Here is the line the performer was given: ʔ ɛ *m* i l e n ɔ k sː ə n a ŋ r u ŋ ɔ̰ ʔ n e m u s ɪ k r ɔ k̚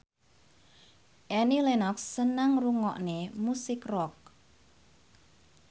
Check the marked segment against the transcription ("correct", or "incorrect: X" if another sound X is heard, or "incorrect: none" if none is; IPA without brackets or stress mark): incorrect: n